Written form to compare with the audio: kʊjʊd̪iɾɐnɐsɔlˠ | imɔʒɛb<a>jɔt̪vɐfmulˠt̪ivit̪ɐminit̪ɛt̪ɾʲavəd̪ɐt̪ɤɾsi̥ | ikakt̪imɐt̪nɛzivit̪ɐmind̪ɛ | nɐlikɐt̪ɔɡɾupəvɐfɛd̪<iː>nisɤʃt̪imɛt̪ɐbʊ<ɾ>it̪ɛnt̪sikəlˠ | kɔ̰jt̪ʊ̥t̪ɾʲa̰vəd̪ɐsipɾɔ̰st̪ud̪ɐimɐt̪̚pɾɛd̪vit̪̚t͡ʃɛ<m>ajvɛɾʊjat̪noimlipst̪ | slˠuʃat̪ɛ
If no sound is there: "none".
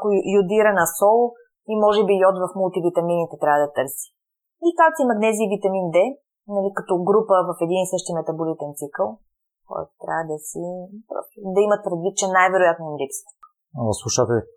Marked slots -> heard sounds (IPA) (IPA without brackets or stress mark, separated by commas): i, i, l, n